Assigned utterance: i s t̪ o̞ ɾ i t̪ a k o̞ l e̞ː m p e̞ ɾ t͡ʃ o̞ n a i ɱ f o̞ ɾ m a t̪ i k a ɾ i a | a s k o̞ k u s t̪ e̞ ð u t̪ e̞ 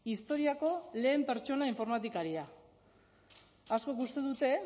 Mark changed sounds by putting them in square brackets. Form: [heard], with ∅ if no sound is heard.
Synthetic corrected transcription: i s t̪ o̞ ɾ i [∅] a k o̞ l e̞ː m p e̞ ɾ t͡ʃ o̞ n a i ɱ f o̞ ɾ m a t̪ i k a ɾ i a | a s k o̞ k u s t̪ e̞ ð u t̪ e̞